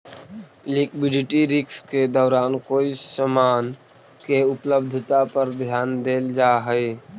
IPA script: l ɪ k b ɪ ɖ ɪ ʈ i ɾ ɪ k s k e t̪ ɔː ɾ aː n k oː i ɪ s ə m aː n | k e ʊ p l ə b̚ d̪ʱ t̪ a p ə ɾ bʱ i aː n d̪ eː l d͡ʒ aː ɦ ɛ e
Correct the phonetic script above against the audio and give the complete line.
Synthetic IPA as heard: l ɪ k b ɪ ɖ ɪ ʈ i ɾ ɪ k s k e d̪ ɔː ɾ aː n k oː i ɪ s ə m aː n | k e ʊ p l ə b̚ d̪ʱ t̪ a p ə ɾ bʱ j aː n d̪ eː l d͡ʒ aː ɦ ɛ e